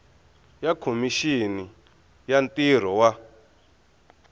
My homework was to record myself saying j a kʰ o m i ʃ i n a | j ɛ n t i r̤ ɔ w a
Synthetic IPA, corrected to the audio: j a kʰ o m i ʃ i n i | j a n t i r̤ ɔ w a

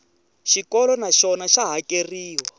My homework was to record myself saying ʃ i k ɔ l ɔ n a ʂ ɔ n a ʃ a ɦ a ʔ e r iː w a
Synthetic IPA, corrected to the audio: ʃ i k ɔ l ɔ n a ʃ ɔ n a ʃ a ɦ a k e r iː w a

